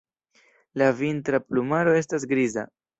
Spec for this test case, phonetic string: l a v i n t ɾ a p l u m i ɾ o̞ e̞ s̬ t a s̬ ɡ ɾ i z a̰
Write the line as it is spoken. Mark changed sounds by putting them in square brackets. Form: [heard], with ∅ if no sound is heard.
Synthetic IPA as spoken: l a v i n t ɾ a p l u m [a] ɾ o̞ e̞ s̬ t a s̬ ɡ ɾ i z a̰